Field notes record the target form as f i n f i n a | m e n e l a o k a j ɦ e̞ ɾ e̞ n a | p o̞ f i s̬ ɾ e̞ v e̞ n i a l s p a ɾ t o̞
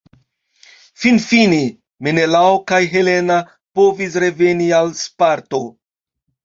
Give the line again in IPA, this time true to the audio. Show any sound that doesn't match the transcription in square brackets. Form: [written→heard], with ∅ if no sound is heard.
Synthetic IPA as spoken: f i n f i n [a→e] | m e n e l a o k a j ɦ e̞ [ɾ→l] e̞ n a | p o̞ [f→v] i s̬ ɾ e̞ v e̞ n i a l s p a ɾ t o̞

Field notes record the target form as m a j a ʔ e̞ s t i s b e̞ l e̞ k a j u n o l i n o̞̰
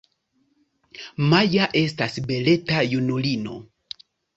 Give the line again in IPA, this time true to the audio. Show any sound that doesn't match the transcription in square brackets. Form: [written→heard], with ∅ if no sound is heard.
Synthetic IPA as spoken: m a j a ʔ e̞ s t [i→a] s b e̞ l e̞ [k→t] a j u n [o→u] l i n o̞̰

